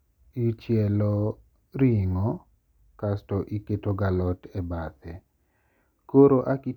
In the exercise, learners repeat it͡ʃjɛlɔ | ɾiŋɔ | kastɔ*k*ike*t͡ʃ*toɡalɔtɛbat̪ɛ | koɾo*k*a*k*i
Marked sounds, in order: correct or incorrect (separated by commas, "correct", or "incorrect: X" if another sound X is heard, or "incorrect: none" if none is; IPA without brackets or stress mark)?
incorrect: ʔ, incorrect: none, incorrect: ʔ, correct